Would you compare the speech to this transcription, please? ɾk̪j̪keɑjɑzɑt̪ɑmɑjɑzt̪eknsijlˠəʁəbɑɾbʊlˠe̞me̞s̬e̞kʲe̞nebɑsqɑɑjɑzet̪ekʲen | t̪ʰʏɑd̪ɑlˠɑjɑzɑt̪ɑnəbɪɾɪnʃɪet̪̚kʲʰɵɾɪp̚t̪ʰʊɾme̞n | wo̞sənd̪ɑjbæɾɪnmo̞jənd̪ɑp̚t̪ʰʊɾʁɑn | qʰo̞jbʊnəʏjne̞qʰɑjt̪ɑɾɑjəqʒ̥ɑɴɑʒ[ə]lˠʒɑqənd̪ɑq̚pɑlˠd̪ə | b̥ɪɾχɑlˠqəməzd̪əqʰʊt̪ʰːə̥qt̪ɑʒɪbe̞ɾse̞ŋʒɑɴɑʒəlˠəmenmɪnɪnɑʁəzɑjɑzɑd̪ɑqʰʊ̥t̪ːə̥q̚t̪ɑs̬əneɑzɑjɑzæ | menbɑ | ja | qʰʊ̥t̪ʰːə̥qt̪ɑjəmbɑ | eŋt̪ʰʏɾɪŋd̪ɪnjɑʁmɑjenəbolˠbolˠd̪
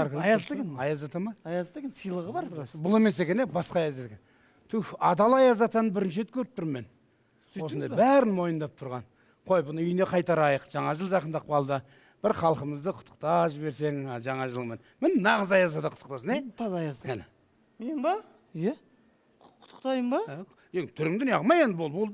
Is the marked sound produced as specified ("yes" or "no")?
yes